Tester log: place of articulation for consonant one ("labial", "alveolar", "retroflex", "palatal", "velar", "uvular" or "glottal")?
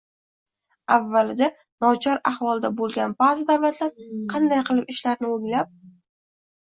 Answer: labial